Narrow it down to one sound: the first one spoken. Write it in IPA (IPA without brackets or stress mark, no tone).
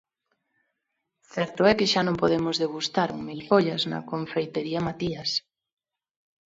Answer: θ